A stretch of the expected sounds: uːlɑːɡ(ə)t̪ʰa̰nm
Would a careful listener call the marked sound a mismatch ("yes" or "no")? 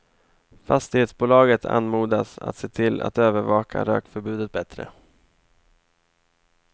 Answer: no